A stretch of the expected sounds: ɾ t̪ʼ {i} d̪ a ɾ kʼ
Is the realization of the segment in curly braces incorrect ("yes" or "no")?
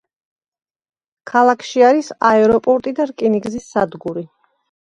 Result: no